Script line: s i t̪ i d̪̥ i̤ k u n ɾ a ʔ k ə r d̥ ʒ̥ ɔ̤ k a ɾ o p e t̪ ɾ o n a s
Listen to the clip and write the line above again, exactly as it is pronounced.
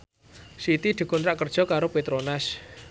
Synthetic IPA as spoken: s i t̪ i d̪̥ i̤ k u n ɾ a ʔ k ə r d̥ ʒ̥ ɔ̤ k a ɾ o p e t̪ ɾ o n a s